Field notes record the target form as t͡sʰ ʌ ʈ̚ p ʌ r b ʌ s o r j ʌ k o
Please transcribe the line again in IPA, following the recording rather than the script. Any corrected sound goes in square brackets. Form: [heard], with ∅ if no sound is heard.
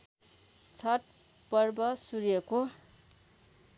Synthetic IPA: t͡sʰ ʌ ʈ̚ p ʌ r b ʌ s [u] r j ʌ k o